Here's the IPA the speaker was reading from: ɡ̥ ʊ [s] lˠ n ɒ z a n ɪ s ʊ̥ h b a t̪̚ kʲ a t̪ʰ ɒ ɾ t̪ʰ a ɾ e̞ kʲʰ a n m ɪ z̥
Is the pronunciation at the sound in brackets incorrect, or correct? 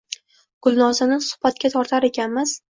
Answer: incorrect